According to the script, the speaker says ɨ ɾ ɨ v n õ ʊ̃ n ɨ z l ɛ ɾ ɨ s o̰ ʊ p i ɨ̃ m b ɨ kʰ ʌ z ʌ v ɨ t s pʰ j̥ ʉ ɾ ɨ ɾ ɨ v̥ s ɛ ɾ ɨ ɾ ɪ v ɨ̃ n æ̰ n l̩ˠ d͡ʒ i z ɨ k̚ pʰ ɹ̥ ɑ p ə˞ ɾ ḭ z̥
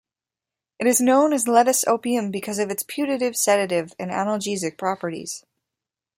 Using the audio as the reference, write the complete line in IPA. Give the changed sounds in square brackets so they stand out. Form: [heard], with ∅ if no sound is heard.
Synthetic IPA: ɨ ɾ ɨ [z] n õ ʊ̃ n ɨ z l ɛ ɾ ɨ s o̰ ʊ p i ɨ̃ m b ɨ kʰ ʌ z ʌ v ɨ t s pʰ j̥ ʉ ɾ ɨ ɾ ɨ v̥ s ɛ ɾ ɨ ɾ ɪ v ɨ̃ n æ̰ n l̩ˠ d͡ʒ i z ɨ k̚ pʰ ɹ̥ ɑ p ə˞ ɾ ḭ z̥